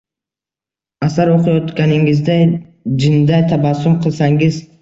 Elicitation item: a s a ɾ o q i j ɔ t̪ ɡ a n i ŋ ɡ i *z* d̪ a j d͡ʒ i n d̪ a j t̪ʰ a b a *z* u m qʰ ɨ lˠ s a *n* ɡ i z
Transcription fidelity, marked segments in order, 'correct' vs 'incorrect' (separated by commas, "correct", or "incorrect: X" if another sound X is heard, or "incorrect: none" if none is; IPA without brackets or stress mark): correct, incorrect: s, incorrect: ŋ